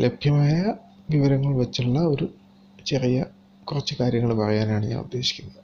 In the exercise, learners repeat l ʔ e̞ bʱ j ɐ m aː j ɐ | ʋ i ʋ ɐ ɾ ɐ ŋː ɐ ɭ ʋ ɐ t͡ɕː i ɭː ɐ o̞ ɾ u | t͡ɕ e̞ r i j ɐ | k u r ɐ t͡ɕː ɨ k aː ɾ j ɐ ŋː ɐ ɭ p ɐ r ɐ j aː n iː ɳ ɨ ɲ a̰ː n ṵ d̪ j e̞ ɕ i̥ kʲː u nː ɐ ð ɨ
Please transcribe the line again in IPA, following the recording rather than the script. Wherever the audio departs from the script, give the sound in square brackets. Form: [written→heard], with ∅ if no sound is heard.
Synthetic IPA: l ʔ e̞ bʱ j ɐ m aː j ɐ | ʋ i ʋ ɐ ɾ ɐ ŋː ɐ ɭ ʋ ɐ t͡ɕː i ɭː ɐ o̞ ɾ u | t͡ɕ e̞ r i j ɐ | k u r ɐ t͡ɕː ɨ k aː ɾ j ɐ ŋː ɐ ɭ p ɐ r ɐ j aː n [iː→aː] ɳ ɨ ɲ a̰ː n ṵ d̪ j e̞ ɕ i̥ kʲː u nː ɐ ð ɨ